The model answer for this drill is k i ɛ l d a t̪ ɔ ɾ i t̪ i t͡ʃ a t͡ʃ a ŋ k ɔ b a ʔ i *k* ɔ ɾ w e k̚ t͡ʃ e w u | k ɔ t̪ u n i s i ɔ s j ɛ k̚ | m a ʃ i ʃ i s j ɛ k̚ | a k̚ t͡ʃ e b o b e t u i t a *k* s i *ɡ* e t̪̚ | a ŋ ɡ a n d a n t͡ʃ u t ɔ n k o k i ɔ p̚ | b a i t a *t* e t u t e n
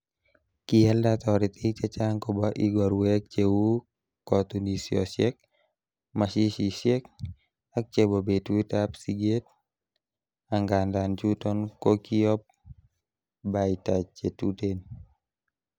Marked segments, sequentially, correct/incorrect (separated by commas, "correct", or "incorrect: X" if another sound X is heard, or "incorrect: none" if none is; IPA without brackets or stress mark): incorrect: ɡ, incorrect: p, correct, incorrect: t͡ʃ